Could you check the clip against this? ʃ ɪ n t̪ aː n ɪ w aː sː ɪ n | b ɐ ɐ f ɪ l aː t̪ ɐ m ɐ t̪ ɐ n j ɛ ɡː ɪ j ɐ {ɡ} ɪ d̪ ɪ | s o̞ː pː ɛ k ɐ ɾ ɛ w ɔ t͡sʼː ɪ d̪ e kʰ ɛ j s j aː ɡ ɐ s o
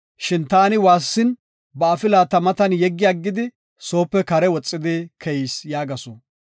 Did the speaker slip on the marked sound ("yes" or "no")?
yes